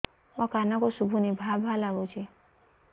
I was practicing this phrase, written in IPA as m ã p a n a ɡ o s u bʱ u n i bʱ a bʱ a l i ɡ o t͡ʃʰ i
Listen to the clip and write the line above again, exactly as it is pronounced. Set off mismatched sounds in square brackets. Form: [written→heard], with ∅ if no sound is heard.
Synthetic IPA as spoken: m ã [p→k] a n a [ɡ→k] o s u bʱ u n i bʱ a bʱ a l [i→a] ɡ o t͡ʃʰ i